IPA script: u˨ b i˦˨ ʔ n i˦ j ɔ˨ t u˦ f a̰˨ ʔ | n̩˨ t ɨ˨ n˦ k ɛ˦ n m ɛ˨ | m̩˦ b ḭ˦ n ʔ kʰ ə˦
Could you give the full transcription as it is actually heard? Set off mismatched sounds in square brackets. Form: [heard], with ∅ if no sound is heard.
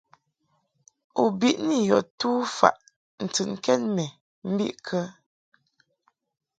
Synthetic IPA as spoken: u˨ b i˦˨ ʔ n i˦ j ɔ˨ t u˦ f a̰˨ ʔ | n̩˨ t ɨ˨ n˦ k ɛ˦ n m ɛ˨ | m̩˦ b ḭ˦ [∅] ʔ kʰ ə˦